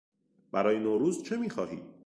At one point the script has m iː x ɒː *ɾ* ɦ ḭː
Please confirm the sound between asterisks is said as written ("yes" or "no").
no